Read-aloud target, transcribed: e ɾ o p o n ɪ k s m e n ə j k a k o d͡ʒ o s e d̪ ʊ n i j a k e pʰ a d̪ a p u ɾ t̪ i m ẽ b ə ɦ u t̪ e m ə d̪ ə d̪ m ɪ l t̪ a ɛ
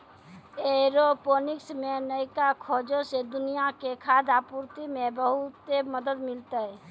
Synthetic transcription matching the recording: e ɾ o p o n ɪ k s m e n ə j k a kʰ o d͡ʒ o s e d̪ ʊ n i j a k e kʰ a d̪ a p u ɾ t̪ i m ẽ b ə ɦ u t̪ e m ə d̪ ə d̪ m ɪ l t̪ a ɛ